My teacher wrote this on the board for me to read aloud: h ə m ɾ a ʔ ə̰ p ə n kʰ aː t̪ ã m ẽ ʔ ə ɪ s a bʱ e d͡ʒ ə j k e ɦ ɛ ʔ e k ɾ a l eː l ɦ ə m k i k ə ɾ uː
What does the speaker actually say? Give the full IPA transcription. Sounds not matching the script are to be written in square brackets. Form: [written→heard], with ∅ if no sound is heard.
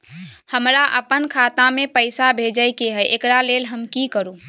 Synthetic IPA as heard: h ə m ɾ a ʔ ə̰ p ə n kʰ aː t̪ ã m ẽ [ʔ→p] ə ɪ s a bʱ e d͡ʒ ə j k e ɦ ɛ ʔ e k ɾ a l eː l ɦ ə m k i k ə ɾ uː